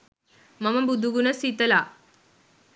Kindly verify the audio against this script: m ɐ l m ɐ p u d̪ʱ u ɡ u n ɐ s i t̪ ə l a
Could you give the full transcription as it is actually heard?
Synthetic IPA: m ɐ m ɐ b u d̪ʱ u ɡ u n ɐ s i t̪ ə l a